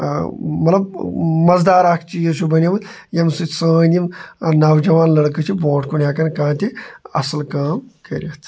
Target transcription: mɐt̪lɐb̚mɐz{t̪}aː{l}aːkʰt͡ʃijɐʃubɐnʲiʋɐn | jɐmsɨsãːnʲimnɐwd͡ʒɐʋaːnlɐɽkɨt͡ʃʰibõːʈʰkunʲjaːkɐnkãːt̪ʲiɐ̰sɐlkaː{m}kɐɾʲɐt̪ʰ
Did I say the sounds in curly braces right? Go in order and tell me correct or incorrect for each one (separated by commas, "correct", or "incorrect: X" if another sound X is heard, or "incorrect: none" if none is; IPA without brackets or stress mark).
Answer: incorrect: d̪, incorrect: ɾ, correct